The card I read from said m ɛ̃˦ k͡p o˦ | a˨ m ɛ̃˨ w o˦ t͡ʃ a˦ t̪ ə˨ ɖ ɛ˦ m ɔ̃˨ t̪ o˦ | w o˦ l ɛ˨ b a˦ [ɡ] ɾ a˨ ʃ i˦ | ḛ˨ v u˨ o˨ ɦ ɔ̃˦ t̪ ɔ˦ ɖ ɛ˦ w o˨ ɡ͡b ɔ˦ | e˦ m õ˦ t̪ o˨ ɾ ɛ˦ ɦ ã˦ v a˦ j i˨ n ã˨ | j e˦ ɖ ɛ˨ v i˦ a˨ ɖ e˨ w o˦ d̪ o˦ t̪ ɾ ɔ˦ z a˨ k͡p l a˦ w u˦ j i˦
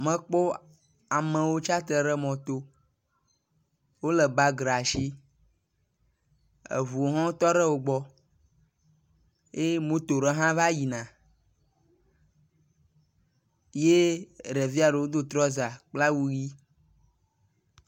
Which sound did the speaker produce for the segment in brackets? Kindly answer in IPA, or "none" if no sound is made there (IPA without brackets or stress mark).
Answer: ɡ